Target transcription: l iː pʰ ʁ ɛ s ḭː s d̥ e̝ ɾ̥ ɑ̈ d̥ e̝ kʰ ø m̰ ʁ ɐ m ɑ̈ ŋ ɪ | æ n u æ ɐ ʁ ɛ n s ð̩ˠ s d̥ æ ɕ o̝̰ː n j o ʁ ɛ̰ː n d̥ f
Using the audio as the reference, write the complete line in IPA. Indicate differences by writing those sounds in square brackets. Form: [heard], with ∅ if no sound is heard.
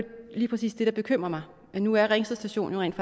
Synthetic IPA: l iː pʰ ʁ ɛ s ḭː s d̥ e̝ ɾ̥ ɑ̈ [b̥] e̝ kʰ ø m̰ ʁ ɐ m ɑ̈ [∅] ɪ | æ n u æ ɐ ʁ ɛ [ŋ] s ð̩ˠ s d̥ æ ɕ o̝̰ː n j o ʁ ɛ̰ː n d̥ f